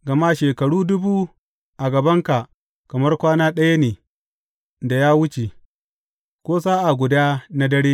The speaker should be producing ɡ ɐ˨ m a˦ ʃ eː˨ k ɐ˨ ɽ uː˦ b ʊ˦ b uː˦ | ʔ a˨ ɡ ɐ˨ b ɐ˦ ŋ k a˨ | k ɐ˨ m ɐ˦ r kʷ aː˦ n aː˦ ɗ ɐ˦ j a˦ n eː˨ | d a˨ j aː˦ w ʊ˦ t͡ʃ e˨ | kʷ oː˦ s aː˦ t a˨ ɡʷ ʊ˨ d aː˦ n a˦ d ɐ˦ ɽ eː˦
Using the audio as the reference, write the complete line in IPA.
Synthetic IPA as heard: ɡ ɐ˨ m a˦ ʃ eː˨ k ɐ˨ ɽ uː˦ d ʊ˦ b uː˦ | ʔ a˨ ɡ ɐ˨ b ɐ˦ ŋ k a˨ | k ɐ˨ m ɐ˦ r kʷ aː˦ n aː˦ ɗ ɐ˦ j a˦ n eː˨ | d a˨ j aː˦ w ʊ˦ t͡ʃ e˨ | kʷ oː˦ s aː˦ ʔ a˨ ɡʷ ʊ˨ d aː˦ n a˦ d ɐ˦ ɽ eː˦